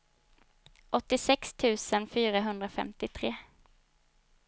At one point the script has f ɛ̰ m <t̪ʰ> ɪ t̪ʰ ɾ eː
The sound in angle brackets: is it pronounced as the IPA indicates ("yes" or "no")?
no